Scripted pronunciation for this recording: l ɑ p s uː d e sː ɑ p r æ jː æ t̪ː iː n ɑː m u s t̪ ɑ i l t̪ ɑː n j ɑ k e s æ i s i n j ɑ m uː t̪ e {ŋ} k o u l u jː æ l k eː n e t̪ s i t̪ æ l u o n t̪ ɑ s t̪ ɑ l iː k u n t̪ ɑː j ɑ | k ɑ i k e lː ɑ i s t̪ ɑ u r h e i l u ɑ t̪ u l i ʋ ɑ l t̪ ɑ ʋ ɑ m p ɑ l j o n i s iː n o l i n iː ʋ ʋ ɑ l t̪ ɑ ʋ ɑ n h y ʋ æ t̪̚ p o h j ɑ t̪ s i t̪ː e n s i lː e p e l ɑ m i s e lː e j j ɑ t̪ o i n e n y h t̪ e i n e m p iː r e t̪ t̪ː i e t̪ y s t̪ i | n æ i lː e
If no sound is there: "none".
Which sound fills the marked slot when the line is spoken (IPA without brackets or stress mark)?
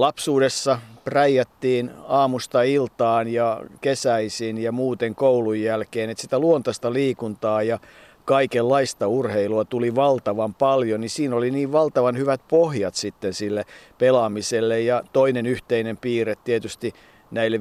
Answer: ŋ